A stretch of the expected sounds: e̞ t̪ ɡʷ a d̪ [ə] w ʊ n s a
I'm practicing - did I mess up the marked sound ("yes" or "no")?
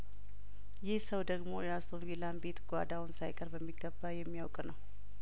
yes